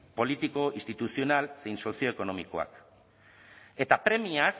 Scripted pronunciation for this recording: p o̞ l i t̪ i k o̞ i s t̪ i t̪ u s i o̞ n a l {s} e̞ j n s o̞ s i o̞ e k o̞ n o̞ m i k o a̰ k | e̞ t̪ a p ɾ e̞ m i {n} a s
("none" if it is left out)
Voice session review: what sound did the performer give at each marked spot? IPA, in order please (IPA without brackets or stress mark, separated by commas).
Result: s, none